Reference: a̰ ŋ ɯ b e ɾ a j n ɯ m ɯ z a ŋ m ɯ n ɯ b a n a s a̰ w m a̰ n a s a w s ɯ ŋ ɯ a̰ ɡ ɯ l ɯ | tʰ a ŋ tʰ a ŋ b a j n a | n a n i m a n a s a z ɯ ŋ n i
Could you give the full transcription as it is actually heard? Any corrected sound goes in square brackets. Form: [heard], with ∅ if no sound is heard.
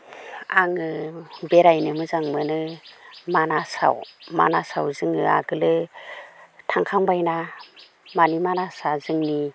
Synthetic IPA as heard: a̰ ŋ ɯ b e ɾ a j n ɯ m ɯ z a ŋ m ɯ n ɯ [m] a n a s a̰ w m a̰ n a s a w [z] ɯ ŋ ɯ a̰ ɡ ɯ l ɯ | tʰ a ŋ [kʰ] a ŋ b a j n a | [m] a n i m a n a s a z ɯ ŋ n i

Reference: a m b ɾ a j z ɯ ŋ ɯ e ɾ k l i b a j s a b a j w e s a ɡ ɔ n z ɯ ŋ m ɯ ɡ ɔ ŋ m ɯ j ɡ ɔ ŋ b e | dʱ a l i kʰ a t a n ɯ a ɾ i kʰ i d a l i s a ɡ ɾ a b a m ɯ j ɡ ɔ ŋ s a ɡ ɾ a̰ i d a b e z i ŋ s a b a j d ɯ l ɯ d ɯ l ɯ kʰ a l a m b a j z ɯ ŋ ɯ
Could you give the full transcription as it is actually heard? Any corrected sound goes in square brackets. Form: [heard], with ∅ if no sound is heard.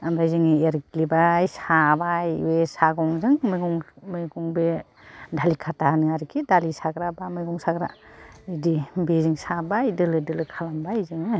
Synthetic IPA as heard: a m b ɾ a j z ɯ ŋ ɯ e ɾ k l i b a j s a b a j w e s a ɡ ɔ [ŋ] z ɯ ŋ m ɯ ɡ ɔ ŋ m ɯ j ɡ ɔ ŋ b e | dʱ a l i kʰ a t a n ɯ a ɾ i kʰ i d a l i s a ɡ ɾ a b a m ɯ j ɡ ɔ ŋ s a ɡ ɾ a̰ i d [i] b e z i ŋ s a b a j d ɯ l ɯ d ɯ l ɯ kʰ a l a m b a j z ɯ ŋ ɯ

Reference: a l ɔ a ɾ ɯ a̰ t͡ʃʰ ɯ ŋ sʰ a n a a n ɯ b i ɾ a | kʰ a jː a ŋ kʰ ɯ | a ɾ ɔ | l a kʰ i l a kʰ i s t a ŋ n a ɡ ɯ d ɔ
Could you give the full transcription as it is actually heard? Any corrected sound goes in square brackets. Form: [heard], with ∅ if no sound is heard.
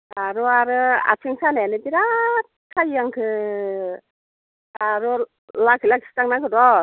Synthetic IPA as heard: a [ɾ] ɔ a ɾ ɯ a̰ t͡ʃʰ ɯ ŋ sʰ a n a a n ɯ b i ɾ a | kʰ a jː a ŋ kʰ ɯ | a ɾ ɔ | l a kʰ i l a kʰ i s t a ŋ n a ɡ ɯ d ɔ

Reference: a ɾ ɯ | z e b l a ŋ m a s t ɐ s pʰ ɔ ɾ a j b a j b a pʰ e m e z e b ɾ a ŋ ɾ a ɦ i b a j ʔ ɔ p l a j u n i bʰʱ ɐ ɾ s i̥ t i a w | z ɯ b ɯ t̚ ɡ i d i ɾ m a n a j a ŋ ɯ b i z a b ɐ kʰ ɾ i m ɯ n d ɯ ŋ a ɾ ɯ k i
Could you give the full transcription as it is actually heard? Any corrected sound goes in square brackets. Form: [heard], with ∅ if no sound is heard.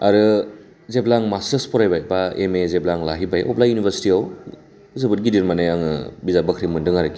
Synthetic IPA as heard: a ɾ ɯ | z e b l a ŋ m a s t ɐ s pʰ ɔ ɾ a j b a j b a [∅] e m e z e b [l] a ŋ [l] a ɦ i b a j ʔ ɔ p l a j u n i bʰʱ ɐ ɾ s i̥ t i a w | z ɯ b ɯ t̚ ɡ i d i ɾ m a n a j a ŋ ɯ b i z a b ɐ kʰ ɾ i m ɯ n d ɯ ŋ a ɾ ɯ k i

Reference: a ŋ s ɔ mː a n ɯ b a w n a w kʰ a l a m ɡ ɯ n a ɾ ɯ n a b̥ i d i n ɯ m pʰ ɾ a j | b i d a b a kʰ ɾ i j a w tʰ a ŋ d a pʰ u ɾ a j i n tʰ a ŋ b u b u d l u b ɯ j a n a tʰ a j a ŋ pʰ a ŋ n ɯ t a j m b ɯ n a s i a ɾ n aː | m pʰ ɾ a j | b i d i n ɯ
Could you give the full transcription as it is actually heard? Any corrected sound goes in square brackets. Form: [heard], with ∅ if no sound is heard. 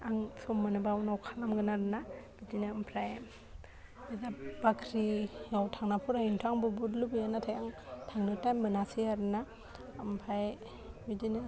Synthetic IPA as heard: a ŋ s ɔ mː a n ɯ b a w n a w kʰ a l a m ɡ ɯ n a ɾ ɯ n a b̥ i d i n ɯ m pʰ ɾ a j | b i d a b a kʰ ɾ i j a w tʰ a ŋ [n] a pʰ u ɾ a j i n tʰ a ŋ b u b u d l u b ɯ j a n a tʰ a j a ŋ [tʰ] a ŋ n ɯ t a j m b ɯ n a s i a ɾ n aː | m pʰ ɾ a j | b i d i n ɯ

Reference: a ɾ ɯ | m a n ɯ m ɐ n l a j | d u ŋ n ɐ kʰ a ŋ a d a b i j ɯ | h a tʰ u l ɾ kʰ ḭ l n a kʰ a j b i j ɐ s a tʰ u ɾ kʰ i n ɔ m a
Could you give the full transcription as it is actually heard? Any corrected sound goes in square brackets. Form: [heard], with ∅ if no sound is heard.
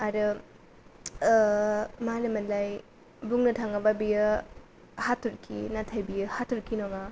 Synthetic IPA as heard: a ɾ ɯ | m a n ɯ m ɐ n l a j | [b] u ŋ n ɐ [tʰ] a ŋ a [b] a b i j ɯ | h a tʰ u [∅] ɾ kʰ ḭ [∅] n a [tʰ] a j b i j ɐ [h] a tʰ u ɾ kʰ i n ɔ [ŋ] a

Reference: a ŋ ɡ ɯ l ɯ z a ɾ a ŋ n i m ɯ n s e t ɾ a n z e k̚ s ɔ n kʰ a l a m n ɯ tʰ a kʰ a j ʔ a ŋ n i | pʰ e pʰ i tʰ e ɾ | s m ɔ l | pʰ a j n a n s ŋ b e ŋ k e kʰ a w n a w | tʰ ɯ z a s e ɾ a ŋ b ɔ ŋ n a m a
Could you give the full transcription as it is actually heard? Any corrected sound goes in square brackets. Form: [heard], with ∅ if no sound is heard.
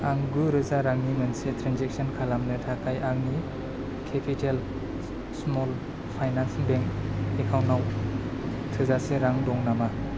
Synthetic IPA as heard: a ŋ ɡ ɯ [ɾ] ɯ z a ɾ a ŋ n i m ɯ n s e t ɾ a n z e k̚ s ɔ n kʰ a l a m n ɯ tʰ a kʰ a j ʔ a ŋ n i | [kʰ] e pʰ i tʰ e [l] | s m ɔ l | pʰ a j n a n s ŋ b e ŋ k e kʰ a w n a w | tʰ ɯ z a s e ɾ a ŋ [d] ɔ ŋ n a m a

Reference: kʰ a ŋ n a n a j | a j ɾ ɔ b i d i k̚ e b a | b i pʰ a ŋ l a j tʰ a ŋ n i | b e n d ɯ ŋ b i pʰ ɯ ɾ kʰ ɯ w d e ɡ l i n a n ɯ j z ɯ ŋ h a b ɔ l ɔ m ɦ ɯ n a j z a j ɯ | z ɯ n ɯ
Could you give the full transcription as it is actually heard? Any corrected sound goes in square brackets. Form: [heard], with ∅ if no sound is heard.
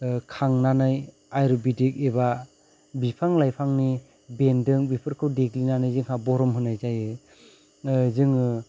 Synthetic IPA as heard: kʰ a ŋ n a n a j | a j ɾ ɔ b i d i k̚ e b a | b i pʰ a ŋ l a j [pʰ] a ŋ n i | b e n d ɯ ŋ b i pʰ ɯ ɾ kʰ ɯ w d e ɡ l i n a n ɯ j z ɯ ŋ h a b ɔ [ɾ] ɔ m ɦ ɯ n a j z a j ɯ | z ɯ [ŋ] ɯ

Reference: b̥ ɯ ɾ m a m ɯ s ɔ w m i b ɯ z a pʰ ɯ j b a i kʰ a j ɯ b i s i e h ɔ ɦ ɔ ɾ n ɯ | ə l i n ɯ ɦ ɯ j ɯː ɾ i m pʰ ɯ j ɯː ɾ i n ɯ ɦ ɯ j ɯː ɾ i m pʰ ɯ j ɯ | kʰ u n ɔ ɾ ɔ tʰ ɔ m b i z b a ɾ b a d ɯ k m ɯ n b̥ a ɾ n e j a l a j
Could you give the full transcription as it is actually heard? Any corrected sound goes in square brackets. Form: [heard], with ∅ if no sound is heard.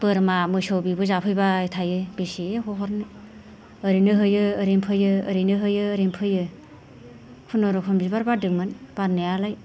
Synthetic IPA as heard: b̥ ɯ ɾ m a m ɯ s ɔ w [b] i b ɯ z a pʰ ɯ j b a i [tʰ] a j ɯ b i s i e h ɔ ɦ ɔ ɾ n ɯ | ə [ɾ] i n ɯ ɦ ɯ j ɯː ɾ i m pʰ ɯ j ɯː ɾ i n ɯ ɦ ɯ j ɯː ɾ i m pʰ ɯ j ɯ | kʰ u n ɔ ɾ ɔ [kʰ] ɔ m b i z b a ɾ b a d ɯ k m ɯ n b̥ a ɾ n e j a l a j

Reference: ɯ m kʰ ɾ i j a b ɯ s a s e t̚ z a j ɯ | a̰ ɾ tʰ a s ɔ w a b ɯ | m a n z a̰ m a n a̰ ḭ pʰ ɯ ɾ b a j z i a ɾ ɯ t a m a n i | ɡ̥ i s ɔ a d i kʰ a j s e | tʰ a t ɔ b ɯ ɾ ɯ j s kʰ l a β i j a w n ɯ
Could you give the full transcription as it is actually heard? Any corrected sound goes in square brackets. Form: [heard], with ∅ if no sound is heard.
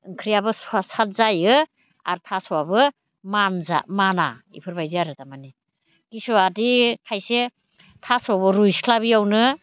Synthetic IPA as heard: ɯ [ŋ] kʰ ɾ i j a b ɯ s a s [a] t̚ z a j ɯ | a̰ ɾ tʰ a s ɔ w a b ɯ | m a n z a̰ m a n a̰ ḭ pʰ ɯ ɾ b a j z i a ɾ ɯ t a m a n i | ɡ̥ i s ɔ a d i kʰ a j s e | tʰ a [s] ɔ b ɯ ɾ [u] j s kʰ l a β i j a w n ɯ

